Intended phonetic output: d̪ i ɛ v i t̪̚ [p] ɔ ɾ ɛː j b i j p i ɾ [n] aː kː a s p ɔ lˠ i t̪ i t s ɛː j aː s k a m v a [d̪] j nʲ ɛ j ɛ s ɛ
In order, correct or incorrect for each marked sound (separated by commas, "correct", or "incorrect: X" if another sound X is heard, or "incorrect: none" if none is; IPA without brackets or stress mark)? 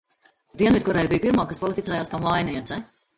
incorrect: k, incorrect: m, incorrect: none